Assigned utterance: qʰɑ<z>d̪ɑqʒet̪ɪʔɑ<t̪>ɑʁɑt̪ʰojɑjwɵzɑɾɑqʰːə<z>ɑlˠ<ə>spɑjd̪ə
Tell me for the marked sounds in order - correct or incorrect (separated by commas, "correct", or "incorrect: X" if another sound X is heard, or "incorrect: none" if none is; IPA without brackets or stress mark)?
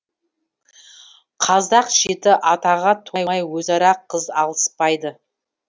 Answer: correct, correct, correct, correct